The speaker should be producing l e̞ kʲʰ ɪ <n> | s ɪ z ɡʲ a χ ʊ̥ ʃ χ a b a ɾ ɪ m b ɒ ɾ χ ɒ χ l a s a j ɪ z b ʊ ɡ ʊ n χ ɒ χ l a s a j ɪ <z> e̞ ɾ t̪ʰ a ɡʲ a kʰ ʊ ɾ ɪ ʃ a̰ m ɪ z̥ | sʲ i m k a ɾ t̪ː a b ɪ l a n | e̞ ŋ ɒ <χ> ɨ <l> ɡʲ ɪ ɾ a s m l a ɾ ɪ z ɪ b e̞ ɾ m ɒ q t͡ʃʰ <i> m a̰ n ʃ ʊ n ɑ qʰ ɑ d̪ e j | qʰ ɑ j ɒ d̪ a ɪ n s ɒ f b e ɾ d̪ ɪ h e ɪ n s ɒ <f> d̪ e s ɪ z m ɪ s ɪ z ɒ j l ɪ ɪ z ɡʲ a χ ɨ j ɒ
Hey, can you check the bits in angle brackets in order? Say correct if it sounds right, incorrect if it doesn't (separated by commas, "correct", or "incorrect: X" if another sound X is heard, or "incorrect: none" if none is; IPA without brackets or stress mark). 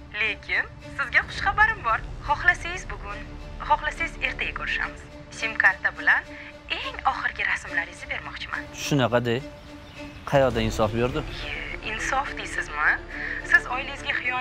correct, correct, correct, incorrect: ɾ, incorrect: ɪ, correct